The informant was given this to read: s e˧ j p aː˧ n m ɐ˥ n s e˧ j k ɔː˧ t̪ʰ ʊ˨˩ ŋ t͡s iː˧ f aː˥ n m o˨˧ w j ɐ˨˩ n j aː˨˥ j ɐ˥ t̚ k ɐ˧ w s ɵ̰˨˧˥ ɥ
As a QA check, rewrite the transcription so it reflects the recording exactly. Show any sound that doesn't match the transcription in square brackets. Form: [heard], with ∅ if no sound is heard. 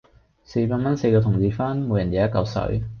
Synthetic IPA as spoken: s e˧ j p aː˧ n m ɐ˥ n s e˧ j k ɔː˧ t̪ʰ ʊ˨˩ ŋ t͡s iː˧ f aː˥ n m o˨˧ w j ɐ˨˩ n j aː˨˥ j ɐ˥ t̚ k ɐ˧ w s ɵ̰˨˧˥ ɥ